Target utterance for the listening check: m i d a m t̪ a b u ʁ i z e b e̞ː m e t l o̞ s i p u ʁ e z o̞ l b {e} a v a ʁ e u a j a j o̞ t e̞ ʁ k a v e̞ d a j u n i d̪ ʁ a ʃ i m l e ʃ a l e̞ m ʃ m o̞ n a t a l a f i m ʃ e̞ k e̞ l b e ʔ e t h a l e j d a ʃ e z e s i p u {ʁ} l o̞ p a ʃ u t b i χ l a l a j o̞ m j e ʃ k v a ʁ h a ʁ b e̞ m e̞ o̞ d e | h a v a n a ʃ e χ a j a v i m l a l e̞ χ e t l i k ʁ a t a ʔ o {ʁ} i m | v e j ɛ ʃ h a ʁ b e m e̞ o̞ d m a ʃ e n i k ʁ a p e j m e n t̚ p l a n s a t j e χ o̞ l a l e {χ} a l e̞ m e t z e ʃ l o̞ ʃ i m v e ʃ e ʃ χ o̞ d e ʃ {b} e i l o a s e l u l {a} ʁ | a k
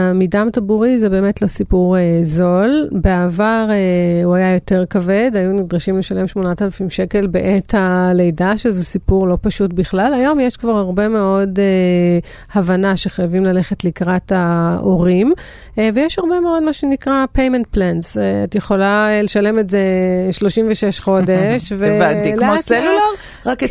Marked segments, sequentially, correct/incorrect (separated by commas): correct, correct, correct, incorrect, incorrect, correct